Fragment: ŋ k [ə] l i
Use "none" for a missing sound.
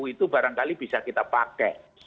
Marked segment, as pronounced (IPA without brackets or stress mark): a